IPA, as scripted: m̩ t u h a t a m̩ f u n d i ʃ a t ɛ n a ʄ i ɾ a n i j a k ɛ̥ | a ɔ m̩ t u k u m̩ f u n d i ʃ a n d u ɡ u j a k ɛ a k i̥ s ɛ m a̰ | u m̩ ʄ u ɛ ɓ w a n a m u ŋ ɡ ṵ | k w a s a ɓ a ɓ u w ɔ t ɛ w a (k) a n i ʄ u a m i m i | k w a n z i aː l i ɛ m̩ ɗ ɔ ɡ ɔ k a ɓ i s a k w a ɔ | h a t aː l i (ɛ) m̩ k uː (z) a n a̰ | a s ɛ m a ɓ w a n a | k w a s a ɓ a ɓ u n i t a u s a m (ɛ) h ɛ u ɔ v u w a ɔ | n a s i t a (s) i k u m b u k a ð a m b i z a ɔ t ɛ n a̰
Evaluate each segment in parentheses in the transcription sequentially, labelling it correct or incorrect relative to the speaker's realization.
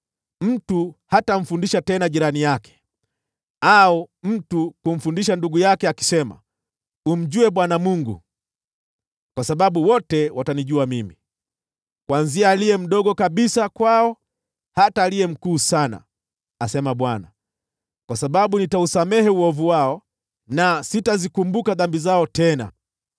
incorrect, correct, incorrect, correct, incorrect

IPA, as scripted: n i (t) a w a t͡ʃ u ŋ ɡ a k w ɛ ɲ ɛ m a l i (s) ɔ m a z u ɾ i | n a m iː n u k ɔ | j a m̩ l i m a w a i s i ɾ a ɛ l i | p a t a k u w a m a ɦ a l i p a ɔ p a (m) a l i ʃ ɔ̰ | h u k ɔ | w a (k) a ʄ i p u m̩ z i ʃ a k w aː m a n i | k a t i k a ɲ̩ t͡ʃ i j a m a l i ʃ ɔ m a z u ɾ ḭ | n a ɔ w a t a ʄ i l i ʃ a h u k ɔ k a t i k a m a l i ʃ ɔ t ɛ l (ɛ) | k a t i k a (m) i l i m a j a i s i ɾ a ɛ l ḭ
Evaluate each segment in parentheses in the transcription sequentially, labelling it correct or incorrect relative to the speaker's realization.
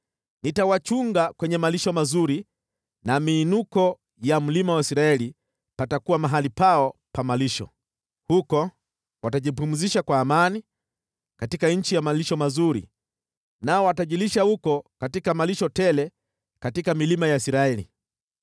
correct, incorrect, correct, incorrect, correct, correct

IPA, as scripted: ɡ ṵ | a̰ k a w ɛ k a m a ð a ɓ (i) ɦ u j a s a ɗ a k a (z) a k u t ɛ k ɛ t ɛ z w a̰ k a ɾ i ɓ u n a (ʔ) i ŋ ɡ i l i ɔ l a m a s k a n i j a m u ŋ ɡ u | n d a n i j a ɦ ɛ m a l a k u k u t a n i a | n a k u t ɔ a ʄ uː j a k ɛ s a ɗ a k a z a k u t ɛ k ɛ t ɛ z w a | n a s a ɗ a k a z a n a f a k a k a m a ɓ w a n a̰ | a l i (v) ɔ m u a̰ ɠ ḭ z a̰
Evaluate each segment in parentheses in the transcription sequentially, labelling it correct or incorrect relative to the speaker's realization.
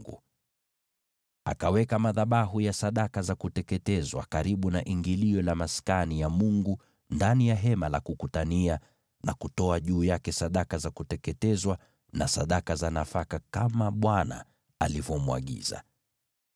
incorrect, correct, correct, correct

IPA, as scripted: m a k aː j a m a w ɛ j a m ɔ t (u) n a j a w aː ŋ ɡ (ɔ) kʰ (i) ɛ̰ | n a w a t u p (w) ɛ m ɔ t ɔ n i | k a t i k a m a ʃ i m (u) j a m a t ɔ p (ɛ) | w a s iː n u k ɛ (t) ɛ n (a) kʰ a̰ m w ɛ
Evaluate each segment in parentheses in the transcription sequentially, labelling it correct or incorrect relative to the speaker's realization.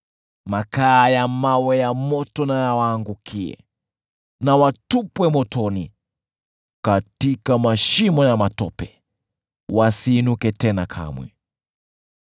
incorrect, incorrect, correct, correct, incorrect, correct, correct, correct

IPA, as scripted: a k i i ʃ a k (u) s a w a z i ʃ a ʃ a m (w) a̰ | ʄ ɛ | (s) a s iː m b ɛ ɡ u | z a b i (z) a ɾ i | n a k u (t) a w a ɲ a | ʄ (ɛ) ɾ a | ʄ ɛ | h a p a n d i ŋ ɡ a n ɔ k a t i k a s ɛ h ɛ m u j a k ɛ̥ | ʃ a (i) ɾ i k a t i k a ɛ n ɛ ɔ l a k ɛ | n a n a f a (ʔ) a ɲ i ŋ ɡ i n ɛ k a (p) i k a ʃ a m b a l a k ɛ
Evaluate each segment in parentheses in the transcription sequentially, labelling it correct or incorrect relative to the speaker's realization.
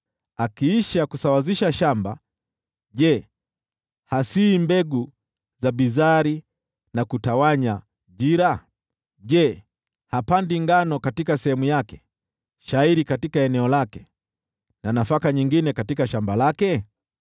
correct, incorrect, incorrect, correct, correct, incorrect, correct, incorrect, incorrect

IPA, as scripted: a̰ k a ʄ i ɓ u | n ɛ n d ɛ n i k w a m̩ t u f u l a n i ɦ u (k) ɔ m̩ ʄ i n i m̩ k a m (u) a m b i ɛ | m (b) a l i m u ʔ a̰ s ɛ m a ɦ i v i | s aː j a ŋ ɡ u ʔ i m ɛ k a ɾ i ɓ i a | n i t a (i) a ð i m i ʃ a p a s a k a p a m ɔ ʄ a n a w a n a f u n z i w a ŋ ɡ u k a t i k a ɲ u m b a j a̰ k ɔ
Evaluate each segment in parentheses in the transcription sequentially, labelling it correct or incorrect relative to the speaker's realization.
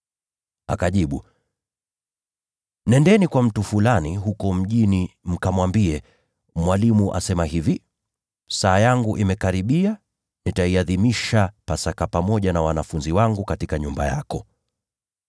correct, incorrect, incorrect, correct

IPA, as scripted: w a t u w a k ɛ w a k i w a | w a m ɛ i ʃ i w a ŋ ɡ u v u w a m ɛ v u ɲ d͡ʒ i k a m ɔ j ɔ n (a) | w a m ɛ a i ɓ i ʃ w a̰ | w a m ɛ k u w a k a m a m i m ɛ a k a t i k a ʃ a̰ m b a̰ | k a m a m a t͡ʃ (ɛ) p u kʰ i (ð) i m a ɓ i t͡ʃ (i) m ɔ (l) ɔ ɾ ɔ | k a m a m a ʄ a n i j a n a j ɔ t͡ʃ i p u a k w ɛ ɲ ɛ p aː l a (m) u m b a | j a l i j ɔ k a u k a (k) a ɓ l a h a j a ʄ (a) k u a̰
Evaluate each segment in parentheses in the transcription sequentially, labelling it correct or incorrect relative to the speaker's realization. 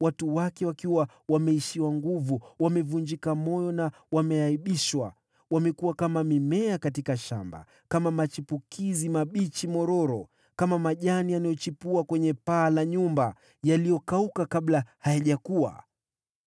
correct, incorrect, incorrect, correct, incorrect, incorrect, correct, correct

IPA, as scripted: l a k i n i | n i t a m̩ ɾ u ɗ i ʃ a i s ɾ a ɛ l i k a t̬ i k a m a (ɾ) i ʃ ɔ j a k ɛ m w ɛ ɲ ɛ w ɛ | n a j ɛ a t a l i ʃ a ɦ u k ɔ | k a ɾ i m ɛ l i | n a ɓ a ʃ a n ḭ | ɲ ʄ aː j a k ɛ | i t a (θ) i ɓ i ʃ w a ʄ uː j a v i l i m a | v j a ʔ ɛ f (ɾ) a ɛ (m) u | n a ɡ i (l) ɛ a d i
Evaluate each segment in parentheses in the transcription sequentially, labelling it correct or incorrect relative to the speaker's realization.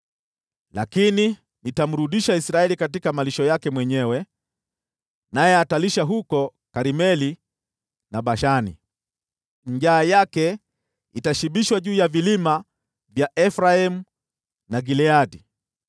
incorrect, incorrect, correct, correct, correct

